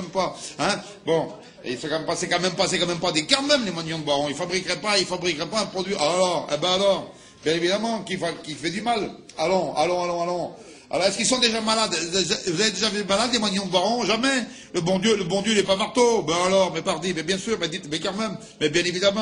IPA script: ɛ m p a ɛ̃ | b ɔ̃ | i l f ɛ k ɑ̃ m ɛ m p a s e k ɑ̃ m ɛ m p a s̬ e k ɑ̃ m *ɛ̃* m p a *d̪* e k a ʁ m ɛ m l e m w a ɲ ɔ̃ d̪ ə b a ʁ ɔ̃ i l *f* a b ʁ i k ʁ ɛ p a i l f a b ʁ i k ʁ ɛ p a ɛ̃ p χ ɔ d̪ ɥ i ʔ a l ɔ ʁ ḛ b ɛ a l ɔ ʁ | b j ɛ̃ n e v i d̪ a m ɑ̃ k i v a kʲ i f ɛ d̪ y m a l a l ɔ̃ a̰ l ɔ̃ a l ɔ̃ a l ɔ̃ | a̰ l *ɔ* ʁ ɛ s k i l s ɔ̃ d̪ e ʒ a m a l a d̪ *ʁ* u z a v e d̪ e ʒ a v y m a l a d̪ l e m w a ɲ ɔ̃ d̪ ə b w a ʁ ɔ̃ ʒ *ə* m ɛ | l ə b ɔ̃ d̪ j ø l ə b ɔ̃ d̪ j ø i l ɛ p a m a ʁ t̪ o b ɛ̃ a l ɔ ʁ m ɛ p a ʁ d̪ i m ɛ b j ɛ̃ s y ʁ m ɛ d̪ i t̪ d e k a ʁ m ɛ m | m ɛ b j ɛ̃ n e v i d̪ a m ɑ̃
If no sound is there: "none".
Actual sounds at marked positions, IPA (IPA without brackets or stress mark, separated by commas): ɛ, d̪, f, ɔ, v, a